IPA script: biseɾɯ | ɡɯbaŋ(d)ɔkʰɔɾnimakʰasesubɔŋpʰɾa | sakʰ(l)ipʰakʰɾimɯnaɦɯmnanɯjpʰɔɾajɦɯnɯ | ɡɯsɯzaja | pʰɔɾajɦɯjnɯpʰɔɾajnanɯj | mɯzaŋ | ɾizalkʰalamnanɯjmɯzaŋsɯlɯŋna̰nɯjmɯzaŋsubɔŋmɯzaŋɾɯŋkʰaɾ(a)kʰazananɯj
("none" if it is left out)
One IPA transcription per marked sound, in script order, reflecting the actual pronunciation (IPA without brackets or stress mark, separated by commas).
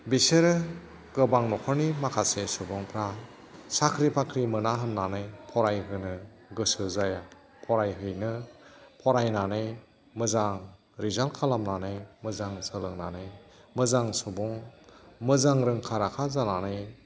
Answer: n, ɾ, a